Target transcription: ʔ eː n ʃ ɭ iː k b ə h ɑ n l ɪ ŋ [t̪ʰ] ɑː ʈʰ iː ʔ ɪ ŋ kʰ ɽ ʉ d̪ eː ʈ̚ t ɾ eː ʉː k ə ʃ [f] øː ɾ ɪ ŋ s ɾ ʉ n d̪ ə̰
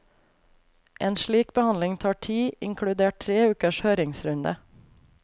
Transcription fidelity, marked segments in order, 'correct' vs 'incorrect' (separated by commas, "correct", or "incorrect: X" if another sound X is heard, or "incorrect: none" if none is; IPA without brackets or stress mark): correct, incorrect: h